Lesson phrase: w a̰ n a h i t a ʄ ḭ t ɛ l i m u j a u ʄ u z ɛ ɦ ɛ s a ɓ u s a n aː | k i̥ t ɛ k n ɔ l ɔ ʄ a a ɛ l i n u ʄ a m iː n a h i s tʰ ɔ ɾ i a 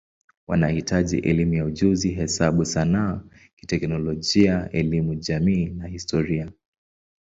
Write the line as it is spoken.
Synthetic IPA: w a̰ n a h i t a ʄ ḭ ʔ ɛ l i m u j a u ʄ u z i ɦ ɛ s a ɓ u s a n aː | k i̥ t ɛ k n ɔ l ɔ ʄ i a ɛ l i m u ʄ a m iː n a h i s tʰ ɔ ɾ i a